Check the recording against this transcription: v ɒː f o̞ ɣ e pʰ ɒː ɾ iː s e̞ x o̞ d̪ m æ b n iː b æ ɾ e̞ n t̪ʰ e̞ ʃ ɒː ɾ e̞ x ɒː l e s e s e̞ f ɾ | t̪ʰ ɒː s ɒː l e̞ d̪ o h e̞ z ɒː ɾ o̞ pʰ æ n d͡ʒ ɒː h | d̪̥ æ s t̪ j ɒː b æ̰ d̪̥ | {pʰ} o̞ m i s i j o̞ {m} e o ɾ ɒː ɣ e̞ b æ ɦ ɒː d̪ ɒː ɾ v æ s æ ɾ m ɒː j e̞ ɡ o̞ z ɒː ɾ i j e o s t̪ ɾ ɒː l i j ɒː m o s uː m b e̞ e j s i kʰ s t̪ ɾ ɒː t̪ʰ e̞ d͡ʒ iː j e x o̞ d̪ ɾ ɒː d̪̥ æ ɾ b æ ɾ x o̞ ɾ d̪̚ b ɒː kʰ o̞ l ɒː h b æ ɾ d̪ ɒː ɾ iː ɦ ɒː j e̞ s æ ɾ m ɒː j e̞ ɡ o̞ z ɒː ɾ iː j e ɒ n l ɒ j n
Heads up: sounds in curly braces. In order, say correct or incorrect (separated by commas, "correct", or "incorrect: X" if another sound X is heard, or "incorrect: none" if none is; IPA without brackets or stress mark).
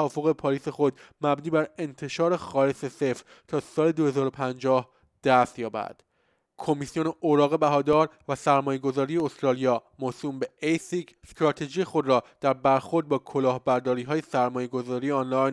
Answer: incorrect: kʰ, incorrect: n